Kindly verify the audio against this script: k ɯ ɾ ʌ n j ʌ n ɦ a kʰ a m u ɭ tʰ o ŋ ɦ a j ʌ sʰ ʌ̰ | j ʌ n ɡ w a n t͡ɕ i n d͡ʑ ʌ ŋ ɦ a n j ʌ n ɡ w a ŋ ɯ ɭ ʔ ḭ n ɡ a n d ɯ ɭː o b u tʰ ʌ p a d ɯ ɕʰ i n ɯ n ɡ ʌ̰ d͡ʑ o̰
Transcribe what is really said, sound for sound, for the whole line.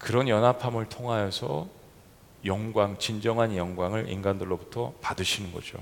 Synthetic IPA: k ɯ ɾ ʌ n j ʌ n ɦ a pʰ a m ɯ ɭ tʰ o ŋ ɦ a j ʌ sʰ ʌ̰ | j ʌ ŋ ɡ w a ŋ t͡ɕ i n d͡ʑ ʌ ŋ ɦ a n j ʌ ŋ ɡ w a ŋ ɯ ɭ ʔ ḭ n ɡ a n d ɯ ɭː o b u tʰ ʌ p a d ɯ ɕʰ i n ɯ n ɡ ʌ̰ d͡ʑ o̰